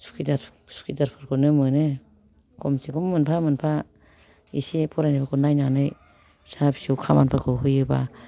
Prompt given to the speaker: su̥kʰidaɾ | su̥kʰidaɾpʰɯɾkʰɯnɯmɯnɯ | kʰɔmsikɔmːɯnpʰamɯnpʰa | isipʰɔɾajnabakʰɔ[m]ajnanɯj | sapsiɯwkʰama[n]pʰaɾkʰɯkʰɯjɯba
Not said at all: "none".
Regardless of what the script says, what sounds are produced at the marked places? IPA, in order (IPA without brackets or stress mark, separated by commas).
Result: n, n